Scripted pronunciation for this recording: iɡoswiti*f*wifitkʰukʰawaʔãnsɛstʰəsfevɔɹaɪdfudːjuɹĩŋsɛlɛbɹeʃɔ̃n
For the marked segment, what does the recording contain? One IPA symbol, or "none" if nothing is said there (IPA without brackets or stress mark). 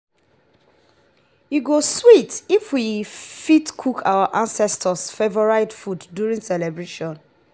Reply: f